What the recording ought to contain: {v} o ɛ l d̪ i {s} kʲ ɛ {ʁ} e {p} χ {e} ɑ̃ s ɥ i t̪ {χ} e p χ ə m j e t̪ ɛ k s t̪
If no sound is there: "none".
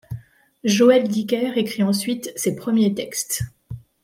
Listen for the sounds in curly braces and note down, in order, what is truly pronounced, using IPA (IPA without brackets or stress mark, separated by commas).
ʒ, none, ʁ, k, i, s